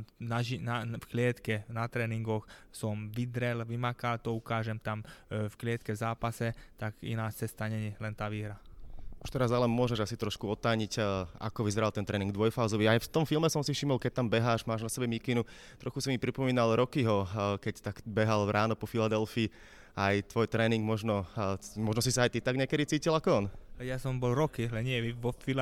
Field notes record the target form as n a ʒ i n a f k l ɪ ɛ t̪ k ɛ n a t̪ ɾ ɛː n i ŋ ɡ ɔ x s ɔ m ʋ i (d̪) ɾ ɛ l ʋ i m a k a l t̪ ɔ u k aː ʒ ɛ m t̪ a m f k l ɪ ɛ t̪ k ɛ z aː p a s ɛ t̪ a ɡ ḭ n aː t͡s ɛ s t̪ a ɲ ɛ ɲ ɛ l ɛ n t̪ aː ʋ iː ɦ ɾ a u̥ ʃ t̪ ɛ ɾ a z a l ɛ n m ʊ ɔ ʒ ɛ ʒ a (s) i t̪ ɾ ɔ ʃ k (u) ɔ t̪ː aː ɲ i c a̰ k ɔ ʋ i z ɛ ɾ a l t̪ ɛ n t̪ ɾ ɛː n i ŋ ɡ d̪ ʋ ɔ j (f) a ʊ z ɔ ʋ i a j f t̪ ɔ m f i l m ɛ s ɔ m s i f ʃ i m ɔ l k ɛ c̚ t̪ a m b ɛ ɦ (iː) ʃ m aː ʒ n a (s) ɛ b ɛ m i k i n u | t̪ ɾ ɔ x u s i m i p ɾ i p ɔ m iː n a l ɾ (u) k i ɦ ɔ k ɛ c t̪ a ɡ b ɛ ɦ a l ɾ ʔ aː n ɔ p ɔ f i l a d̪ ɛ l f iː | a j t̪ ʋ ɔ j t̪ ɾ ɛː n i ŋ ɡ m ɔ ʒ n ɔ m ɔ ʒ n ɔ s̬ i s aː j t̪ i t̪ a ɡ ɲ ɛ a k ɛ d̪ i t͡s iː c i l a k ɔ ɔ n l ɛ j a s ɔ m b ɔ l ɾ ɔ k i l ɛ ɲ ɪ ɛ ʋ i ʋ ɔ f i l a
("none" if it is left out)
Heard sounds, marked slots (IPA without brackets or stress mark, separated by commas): d̪, s, u, f, aː, s, ɔ